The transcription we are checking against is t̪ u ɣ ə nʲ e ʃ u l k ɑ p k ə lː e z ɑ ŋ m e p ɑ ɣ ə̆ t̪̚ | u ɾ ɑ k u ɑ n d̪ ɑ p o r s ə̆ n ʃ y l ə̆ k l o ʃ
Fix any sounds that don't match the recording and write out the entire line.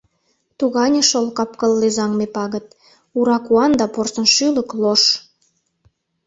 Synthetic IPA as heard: t̪ u ɣ ɑ nʲ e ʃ o l k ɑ p k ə lː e z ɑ ŋ m e p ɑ ɣ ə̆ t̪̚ | u ɾ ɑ k u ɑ n d̪ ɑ p o r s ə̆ n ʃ y l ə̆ k l o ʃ

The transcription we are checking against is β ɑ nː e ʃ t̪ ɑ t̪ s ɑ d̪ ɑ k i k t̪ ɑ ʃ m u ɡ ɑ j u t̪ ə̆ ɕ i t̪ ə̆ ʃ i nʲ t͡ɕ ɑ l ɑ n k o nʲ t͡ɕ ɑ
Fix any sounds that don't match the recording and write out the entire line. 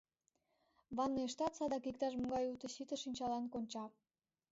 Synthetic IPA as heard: β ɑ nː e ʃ t̪ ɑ t̪ s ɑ d̪ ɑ k i k t̪ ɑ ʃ m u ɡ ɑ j u t̪ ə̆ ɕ i t̪ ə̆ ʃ i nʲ t͡ɕ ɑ l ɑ n k o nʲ t͡ɕ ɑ

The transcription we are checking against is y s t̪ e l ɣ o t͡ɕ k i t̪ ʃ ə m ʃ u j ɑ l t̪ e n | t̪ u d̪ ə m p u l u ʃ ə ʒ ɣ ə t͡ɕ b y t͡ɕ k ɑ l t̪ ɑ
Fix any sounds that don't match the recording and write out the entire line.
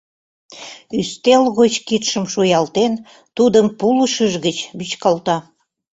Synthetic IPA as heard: y s t̪ e l ɣ o t͡ɕ k i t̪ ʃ ə m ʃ u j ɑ l t̪ e n | t̪ u d̪ ə m p u l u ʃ ə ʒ ɣ ə t͡ɕ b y t͡ɕ k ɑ l t̪ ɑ

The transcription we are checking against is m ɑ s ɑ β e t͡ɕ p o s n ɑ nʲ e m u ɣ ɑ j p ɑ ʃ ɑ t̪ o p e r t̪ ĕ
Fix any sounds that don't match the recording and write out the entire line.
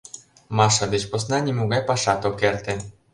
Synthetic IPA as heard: m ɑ ʃ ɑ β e t͡ɕ p o s n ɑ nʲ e m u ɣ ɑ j p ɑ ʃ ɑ t̪ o k e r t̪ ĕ

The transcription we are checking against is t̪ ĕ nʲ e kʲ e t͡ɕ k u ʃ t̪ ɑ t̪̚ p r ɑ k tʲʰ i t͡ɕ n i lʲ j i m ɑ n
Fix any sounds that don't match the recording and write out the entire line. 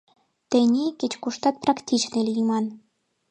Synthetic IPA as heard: t̪ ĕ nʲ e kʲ e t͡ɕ k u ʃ t̪ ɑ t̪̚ p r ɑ k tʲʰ i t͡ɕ n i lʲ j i m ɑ n

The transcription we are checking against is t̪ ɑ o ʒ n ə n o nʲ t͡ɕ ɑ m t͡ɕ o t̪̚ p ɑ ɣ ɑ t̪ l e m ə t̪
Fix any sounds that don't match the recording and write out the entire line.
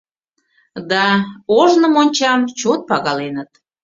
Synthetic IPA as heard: d̪ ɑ o ʒ n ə m o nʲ t͡ɕ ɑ m t͡ɕ o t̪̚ p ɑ ɣ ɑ l e n ə t̪

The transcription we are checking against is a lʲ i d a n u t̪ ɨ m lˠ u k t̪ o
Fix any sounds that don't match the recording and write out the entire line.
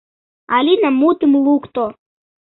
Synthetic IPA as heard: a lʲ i n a m u t̪ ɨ m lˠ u k t̪ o

